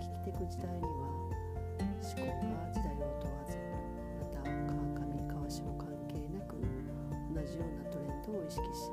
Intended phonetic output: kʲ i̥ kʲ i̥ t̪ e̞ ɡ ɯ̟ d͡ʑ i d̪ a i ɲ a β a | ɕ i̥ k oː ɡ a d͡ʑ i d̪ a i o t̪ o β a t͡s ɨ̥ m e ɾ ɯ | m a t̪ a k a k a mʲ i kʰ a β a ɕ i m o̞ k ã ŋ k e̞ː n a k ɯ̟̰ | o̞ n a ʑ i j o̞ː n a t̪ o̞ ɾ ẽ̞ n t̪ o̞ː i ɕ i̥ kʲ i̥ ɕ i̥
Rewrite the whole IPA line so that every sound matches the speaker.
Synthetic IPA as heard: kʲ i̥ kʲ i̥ t̪ e̞ k ɯ̟ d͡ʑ i d̪ a i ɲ i β a | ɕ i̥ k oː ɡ a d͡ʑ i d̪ a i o t̪ o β a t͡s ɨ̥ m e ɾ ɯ | m a t̪ a k a k a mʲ i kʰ a β a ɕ i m o̞ k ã ŋ k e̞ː n a k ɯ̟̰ | o̞ n a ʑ i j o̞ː n a t̪ o̞ ɾ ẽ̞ n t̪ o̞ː i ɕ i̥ kʲ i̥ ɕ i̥